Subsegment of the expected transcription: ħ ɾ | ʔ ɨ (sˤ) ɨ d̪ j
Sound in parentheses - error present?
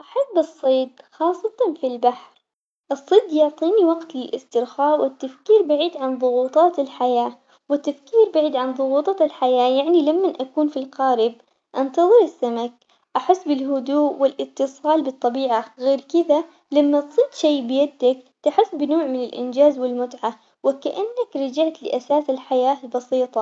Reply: yes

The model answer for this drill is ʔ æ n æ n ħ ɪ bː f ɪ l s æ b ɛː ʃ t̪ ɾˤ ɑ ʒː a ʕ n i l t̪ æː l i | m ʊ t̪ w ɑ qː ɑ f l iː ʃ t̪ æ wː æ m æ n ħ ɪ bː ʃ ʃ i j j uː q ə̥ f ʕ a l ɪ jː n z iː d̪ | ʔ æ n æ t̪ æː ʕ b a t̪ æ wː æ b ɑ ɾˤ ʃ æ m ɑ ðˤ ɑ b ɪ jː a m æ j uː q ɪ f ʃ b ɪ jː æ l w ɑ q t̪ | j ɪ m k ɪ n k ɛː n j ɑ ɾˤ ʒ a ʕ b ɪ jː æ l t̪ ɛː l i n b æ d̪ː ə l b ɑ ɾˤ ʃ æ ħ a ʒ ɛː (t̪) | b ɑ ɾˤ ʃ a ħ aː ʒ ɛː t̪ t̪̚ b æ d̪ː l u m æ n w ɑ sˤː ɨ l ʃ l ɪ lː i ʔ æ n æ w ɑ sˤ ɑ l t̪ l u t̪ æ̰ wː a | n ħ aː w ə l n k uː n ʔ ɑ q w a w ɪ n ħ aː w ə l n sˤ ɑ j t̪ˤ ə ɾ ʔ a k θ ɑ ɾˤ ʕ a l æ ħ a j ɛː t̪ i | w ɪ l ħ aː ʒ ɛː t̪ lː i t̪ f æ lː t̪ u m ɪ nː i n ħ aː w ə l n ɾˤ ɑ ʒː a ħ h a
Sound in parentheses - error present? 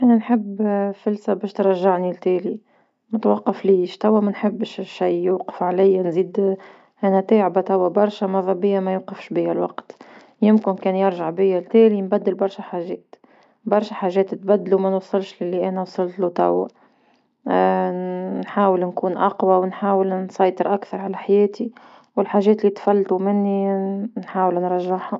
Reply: no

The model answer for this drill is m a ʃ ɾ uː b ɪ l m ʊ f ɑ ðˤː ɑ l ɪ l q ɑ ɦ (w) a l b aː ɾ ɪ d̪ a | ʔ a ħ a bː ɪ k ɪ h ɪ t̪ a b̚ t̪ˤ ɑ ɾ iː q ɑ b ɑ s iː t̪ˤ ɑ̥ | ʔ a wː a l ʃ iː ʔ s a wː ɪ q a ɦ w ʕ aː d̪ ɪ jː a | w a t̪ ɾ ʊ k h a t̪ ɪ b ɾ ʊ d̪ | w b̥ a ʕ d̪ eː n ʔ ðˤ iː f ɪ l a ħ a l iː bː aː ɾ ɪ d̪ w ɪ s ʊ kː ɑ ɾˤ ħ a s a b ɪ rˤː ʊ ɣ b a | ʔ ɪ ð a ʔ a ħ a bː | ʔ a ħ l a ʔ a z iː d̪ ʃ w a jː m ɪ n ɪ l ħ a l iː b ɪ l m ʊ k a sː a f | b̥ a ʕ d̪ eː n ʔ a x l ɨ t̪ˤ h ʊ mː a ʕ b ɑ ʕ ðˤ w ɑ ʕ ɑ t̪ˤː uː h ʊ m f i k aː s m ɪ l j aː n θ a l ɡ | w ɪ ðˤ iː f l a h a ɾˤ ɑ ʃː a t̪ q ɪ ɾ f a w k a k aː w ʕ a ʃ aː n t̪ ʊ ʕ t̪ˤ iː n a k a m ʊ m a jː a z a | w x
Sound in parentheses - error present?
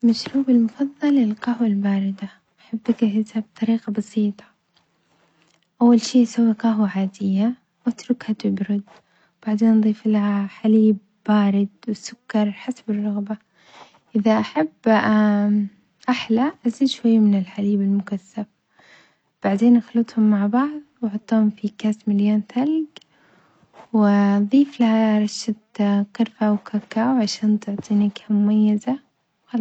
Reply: no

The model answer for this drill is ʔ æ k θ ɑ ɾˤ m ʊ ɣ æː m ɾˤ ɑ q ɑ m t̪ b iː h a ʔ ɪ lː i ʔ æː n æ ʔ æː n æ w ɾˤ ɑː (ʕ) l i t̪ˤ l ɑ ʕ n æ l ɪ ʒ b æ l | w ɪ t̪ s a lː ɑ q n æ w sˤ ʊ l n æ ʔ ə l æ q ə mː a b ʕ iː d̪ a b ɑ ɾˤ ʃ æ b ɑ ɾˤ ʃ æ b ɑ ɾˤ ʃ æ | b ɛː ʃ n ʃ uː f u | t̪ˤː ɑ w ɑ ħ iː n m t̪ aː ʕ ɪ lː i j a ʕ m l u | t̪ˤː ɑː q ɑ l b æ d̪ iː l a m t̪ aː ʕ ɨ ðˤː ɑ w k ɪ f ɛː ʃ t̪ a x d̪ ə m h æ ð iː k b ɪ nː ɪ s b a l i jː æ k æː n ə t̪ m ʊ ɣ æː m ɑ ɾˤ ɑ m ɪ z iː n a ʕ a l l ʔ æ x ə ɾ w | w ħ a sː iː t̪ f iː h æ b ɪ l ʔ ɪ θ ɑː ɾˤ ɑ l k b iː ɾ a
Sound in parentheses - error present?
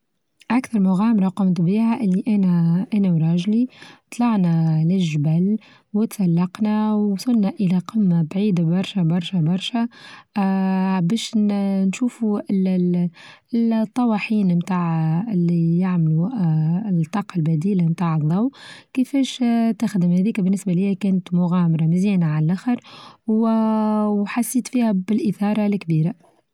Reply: yes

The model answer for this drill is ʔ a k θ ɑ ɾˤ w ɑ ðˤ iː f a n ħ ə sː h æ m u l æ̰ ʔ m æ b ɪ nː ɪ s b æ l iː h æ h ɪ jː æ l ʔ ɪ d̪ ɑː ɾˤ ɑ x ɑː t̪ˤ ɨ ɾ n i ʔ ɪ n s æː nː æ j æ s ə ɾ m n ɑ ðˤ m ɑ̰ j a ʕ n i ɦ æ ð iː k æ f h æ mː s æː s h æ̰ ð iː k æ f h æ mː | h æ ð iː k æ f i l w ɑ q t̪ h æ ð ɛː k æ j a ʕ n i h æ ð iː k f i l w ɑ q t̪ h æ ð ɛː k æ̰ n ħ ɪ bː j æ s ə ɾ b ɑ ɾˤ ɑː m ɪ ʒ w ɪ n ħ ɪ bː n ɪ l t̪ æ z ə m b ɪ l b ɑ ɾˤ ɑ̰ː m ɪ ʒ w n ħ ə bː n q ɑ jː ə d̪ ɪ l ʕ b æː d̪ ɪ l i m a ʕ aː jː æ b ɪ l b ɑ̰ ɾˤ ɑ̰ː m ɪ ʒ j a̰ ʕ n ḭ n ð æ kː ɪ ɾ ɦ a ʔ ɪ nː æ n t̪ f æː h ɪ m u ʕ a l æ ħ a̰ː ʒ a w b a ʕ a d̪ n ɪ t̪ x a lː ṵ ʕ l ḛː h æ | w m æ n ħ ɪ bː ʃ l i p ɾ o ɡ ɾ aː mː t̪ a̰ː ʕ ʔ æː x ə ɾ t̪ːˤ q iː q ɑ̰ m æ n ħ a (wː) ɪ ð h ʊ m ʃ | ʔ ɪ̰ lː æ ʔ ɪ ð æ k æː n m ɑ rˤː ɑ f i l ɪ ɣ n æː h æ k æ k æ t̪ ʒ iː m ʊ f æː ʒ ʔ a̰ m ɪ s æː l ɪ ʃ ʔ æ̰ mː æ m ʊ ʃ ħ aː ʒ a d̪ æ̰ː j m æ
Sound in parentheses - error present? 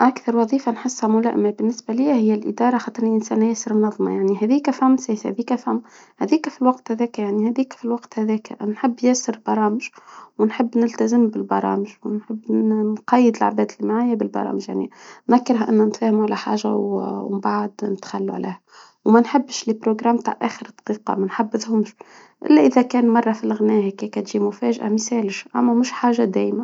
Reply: yes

